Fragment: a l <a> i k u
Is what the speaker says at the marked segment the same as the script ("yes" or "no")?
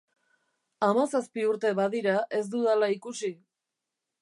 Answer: yes